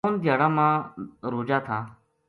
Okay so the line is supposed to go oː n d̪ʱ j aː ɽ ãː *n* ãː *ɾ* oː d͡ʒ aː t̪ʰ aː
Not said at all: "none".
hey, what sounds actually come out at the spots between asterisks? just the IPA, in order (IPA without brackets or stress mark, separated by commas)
m, ɾ